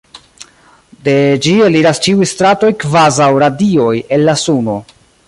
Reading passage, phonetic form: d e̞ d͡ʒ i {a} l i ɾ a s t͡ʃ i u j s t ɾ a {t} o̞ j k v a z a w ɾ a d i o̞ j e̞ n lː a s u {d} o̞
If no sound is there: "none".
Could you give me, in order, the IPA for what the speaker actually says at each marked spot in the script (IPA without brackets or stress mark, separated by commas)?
e, t, n